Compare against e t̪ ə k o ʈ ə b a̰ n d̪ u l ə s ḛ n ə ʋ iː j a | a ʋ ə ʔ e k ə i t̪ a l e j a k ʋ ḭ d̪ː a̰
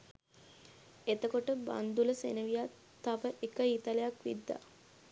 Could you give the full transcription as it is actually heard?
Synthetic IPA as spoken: e t̪ ə k o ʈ ə b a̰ n d̪ u l ə s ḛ n ə ʋ i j a | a ʋ ə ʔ e k ə i t̪ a l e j a k ʋ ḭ d̪ː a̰